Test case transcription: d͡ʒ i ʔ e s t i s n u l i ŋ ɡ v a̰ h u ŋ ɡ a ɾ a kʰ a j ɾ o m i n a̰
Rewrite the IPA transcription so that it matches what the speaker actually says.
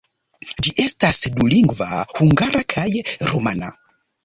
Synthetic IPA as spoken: d͡ʒ i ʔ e s t a s d u l i ŋ ɡ v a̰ h u ŋ ɡ a ɾ a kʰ a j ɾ o m a n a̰

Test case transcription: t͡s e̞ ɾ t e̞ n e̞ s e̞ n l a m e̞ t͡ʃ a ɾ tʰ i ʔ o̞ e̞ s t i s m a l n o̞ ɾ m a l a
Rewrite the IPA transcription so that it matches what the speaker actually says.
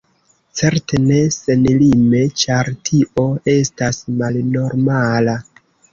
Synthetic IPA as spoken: t͡s e̞ ɾ t e̞ n e̞ s e̞ n l i m e̞ t͡ʃ a ɾ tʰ i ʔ o̞ e̞ s t a s m a l n o̞ ɾ m a l a

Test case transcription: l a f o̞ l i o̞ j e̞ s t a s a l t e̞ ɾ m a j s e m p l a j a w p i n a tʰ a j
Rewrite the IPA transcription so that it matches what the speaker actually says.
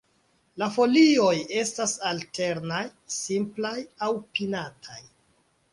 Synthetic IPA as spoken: l a f o̞ l i o̞ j e̞ s t a s a l t e̞ ɾ n a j s i m p l a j a w p i n a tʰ a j

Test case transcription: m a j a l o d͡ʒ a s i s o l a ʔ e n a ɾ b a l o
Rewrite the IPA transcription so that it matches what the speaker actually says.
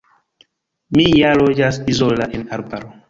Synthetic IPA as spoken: m i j a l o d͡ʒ a s i z o l a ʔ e n a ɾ b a ɾ o

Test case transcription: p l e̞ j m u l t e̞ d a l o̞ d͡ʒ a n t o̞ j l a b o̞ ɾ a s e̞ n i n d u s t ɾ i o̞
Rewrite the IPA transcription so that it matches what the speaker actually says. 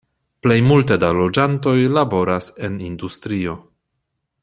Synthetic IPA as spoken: p l e̞ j m u l t e̞ d a l o̞ d͡ʒ a n t o̞ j l a b o̞ ɾ a s e̞ n i n d u s t ɾ i o̞

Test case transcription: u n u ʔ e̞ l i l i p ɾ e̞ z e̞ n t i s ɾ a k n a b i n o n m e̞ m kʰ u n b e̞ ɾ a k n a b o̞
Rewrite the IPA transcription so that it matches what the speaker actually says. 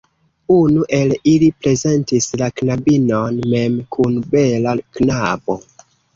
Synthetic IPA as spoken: u n u ʔ e̞ l i l i p ɾ e̞ z e̞ n t i s l a k n a b i n o n m e̞ m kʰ u n b e̞ l a k n a b o̞

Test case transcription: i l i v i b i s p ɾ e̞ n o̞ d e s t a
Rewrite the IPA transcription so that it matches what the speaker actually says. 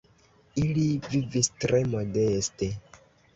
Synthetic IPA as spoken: i l i v i v i s t ɾ e̞ m o̞ d e s t e

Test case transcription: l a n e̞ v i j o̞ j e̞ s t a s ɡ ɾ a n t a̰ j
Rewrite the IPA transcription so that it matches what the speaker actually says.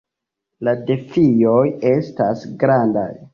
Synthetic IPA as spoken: l a d e̞ f i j o̞ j e̞ s t a s ɡ ɾ a n d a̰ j

